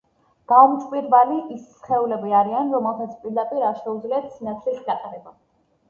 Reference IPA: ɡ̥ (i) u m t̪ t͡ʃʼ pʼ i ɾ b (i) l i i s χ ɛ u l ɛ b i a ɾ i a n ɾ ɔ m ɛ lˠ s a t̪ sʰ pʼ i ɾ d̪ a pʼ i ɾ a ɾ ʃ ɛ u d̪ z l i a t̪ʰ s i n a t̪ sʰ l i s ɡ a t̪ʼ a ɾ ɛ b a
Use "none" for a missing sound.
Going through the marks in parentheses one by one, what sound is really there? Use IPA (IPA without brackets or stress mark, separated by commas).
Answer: a, a